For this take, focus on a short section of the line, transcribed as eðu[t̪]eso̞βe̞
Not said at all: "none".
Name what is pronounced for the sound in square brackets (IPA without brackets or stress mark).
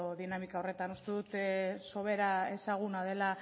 t̪